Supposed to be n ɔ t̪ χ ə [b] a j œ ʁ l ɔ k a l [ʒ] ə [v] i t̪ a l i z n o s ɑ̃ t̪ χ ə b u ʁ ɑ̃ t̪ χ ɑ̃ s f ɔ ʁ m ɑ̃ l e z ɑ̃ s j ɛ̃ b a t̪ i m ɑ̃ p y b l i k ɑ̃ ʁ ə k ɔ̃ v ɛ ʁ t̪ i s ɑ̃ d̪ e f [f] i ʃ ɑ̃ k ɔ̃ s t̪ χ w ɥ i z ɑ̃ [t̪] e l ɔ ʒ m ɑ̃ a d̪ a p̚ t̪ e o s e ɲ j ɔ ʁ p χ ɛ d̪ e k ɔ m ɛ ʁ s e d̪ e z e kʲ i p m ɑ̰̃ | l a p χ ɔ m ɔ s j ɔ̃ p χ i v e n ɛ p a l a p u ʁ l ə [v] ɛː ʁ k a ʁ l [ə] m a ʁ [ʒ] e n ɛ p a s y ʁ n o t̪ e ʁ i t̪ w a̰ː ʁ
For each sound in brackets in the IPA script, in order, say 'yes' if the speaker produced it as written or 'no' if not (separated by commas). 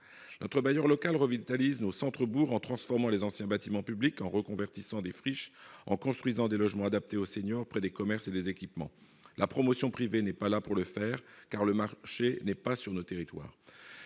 yes, no, yes, no, no, no, yes, no